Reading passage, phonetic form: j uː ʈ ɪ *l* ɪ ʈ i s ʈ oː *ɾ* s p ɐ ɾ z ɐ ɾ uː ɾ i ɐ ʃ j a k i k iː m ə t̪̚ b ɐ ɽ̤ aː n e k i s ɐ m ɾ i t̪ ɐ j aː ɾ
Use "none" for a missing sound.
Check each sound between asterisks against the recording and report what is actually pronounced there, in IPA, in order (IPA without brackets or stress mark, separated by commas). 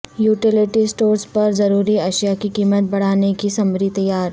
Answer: l, ɾ